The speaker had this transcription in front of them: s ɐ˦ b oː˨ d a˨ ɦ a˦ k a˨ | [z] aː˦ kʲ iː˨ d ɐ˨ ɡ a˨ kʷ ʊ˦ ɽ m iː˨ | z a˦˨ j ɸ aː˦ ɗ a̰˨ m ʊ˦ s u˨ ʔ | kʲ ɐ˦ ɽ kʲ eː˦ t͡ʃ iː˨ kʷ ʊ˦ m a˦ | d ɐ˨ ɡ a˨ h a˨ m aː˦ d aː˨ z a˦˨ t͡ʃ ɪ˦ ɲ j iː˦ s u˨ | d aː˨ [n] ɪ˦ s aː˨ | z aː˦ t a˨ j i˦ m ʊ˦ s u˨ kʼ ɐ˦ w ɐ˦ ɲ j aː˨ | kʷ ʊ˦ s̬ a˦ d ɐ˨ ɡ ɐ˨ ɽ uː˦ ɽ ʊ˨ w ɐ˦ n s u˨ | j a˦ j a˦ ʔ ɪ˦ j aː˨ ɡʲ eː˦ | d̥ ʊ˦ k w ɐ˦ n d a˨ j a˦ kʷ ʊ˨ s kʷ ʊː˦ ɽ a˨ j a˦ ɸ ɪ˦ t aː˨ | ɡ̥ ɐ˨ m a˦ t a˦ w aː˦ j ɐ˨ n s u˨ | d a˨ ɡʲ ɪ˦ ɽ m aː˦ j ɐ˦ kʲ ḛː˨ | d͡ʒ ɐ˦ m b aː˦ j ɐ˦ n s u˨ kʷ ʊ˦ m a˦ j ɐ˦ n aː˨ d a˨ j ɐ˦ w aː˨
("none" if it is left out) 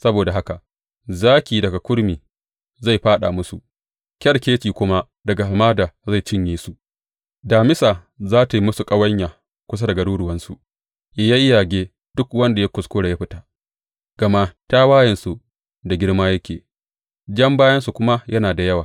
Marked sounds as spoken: z, m

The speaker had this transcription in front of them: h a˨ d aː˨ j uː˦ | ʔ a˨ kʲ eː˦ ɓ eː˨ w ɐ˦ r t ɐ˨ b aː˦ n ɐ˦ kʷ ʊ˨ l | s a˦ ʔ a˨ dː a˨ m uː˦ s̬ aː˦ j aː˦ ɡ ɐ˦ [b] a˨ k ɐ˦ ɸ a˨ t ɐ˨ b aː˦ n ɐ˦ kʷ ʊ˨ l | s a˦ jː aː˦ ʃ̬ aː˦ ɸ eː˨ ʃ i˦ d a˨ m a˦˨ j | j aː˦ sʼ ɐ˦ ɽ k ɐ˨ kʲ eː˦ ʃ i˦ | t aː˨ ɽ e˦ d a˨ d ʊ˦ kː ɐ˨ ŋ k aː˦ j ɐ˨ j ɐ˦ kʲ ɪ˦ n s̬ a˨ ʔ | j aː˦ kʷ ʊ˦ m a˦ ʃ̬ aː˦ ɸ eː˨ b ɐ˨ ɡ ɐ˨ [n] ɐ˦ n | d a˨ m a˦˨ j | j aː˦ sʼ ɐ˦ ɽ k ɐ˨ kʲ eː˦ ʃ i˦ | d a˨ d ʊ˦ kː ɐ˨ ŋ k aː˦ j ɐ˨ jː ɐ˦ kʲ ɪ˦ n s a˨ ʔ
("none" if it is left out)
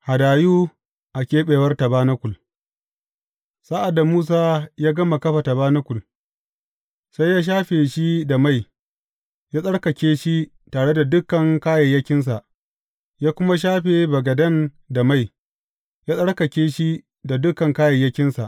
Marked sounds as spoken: m, d

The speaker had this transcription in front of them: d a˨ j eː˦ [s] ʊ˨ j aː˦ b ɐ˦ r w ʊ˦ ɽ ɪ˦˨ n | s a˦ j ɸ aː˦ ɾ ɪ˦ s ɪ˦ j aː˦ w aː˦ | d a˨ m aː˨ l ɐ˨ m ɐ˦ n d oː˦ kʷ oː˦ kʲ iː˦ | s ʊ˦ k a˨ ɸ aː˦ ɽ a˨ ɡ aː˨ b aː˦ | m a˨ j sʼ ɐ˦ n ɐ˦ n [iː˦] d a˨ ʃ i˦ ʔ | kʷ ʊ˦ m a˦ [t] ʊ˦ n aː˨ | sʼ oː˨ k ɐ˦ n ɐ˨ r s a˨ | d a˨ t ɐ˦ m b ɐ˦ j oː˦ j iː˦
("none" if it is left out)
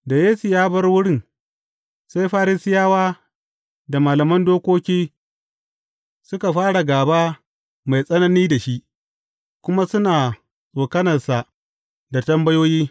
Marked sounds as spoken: s, iː˦, s

